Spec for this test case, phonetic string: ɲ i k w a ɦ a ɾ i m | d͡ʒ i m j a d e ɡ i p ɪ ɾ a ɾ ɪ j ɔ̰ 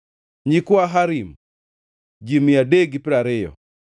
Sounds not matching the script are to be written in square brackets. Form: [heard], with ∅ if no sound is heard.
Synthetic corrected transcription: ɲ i k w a ɦ a ɾ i m | d͡ʒ i m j a d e ɡ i p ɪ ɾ a ɾ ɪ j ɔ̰